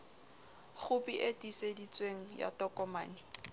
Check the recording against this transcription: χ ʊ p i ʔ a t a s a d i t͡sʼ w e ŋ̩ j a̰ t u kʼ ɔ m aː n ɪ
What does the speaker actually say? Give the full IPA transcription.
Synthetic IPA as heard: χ ʊ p i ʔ e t i s e d i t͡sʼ w e ŋ̩ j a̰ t ɔ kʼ ɔ m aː n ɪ

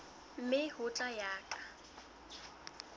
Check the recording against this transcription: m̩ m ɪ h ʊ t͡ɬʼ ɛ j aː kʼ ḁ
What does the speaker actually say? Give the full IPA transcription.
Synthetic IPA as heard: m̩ m ɪ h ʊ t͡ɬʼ a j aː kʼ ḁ

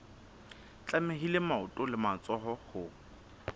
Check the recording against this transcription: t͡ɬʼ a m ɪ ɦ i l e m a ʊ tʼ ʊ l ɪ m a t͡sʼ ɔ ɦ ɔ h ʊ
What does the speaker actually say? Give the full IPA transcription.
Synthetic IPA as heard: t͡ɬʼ a m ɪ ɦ i l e m a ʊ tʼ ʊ l ɪ m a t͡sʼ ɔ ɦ ɔ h ʊ

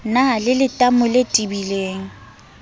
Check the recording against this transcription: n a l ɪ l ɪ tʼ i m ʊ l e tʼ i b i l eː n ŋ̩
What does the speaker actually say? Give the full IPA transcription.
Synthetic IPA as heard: n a l ɪ l ɪ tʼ a m ʊ l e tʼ i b i l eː ŋ̩

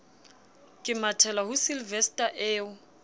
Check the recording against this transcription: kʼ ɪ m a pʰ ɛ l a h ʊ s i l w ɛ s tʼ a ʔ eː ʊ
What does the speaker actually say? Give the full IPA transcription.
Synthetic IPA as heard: kʼ ɪ m a tʰ ɛ l a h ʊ s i l v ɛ s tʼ a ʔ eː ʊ

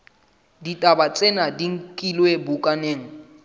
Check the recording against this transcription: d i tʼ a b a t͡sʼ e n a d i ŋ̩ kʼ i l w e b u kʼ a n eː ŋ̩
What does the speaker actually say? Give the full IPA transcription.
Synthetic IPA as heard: d i tʼ a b a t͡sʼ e n a d i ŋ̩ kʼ i l w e b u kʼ a n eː ŋ̩

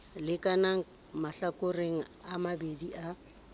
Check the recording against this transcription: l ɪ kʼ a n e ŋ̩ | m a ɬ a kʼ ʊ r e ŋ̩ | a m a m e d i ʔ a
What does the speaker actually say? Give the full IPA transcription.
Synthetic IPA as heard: l ɪ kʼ a n a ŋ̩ | m a ɬ a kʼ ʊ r e ŋ̩ | a m a b e d i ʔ a

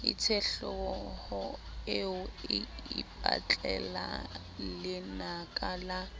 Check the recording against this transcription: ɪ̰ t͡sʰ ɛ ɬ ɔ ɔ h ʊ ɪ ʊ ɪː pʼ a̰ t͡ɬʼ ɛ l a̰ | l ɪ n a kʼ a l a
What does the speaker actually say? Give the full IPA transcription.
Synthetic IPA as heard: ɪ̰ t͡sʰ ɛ ɬ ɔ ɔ h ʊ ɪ ʊ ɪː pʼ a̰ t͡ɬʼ ɛ l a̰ | l ɪ n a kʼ a l a

